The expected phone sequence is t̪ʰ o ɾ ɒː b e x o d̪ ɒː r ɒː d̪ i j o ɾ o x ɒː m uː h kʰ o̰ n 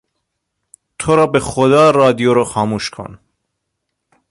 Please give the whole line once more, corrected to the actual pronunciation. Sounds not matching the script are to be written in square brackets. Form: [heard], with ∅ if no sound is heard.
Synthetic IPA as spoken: t̪ʰ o ɾ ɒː b e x o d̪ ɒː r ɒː d̪ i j o ɾ o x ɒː m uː [ʃ] kʰ o̰ n